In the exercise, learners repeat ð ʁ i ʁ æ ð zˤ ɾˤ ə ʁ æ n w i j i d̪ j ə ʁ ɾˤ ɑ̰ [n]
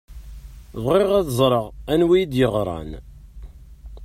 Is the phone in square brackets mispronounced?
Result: no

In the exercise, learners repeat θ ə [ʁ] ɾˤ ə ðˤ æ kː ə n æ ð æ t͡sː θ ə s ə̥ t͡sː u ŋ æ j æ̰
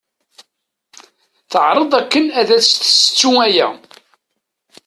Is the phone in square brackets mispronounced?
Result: yes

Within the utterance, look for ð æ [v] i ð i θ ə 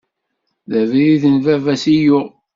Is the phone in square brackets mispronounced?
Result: no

